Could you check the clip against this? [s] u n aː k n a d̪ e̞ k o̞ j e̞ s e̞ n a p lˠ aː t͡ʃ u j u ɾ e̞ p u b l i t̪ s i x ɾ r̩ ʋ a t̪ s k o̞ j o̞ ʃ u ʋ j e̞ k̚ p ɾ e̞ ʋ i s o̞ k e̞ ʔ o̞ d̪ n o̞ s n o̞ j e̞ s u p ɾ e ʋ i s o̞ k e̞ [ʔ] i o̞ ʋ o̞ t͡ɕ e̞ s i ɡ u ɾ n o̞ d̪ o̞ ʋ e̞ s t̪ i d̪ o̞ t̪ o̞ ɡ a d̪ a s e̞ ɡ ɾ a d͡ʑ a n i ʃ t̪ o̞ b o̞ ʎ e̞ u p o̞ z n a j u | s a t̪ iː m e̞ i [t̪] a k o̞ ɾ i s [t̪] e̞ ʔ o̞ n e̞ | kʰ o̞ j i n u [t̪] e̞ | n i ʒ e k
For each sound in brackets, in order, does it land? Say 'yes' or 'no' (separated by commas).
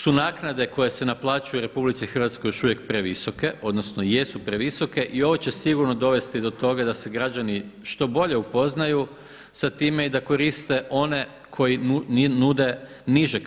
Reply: yes, yes, no, yes, no